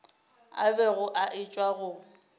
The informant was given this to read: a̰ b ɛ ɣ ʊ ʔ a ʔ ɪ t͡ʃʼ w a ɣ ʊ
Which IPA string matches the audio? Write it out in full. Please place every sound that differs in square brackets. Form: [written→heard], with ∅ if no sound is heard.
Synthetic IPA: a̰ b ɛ ɣ ʊ ʔ a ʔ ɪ t͡ʃʼ w a ɣ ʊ